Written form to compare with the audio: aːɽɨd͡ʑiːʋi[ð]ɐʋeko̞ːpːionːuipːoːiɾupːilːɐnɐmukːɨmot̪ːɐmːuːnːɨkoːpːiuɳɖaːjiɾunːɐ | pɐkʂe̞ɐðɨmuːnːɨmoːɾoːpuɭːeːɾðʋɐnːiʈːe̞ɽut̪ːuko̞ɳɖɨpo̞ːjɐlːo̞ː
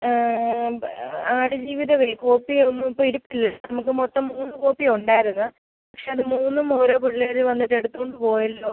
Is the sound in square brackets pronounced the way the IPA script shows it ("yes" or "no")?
yes